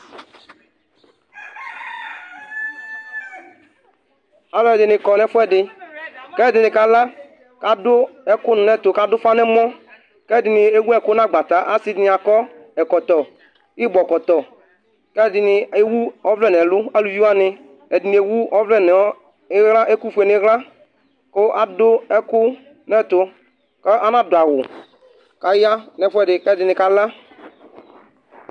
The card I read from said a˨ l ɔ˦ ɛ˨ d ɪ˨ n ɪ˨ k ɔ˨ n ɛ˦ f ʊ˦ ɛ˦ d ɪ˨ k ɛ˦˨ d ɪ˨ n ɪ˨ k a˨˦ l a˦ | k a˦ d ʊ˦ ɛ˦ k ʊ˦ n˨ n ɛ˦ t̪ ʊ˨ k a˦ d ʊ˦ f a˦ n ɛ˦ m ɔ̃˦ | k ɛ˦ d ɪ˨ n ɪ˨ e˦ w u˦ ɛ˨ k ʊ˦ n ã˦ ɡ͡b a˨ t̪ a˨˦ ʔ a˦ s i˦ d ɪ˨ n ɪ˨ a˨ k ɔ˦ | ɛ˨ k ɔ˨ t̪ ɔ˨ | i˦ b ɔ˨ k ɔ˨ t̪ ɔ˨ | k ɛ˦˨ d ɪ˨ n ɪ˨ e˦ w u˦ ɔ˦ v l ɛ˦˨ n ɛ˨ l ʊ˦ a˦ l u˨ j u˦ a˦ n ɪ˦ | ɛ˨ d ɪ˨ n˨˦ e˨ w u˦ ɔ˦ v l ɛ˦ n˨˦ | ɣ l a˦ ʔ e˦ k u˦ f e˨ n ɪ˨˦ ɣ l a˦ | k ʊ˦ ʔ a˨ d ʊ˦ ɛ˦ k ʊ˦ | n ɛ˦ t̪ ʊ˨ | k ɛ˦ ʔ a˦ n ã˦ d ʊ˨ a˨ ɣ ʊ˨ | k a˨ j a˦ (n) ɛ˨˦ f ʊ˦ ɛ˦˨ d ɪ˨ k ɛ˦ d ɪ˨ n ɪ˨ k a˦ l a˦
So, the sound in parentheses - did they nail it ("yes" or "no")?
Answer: yes